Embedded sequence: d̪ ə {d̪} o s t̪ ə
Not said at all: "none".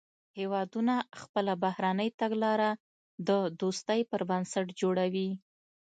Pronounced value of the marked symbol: d̪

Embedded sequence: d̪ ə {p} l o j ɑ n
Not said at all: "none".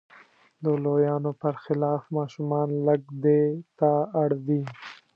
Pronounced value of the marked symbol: none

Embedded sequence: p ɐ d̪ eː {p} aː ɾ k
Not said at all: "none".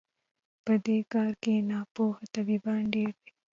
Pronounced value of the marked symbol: k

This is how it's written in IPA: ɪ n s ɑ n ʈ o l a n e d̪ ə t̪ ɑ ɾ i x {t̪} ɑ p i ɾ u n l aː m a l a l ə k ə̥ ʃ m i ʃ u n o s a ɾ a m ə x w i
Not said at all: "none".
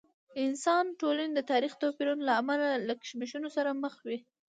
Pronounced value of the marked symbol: t̪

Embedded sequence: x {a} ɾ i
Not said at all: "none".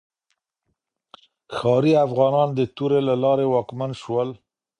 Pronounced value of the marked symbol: ɑ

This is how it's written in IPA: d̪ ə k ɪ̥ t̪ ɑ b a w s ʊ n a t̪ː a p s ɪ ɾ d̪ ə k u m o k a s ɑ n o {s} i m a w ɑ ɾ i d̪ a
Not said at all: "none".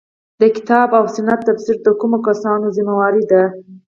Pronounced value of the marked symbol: z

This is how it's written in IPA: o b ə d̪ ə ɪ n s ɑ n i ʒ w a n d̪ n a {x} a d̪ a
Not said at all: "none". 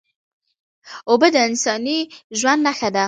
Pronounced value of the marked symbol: x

